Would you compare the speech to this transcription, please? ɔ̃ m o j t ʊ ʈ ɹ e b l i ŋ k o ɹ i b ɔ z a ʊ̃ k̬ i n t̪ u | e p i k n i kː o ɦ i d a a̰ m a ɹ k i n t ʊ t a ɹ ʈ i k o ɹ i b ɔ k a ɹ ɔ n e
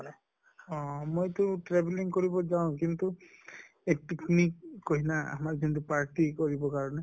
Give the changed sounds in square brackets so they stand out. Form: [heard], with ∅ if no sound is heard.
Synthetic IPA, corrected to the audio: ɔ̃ m o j t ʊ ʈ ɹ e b l i ŋ k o ɹ i b ɔ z a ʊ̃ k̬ i n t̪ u | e p i k n i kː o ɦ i [n] a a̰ m a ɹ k i n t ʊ [p] a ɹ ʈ i k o ɹ i b ɔ k a ɹ ɔ n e